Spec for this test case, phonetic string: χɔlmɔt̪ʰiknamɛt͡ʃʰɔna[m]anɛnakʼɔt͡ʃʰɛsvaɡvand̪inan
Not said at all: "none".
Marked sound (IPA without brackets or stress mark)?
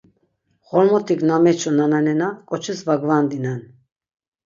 n